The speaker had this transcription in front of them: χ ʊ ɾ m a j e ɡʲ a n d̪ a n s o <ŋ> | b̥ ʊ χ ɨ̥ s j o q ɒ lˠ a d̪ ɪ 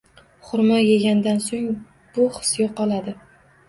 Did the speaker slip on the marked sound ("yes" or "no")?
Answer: no